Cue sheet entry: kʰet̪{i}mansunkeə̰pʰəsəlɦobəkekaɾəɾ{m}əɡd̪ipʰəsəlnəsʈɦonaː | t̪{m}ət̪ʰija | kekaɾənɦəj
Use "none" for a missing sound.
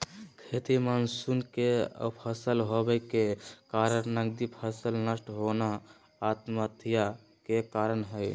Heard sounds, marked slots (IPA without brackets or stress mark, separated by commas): i, n, m